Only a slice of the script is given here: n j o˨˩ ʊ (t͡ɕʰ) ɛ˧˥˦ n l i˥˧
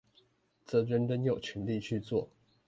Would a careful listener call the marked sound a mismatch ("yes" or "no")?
no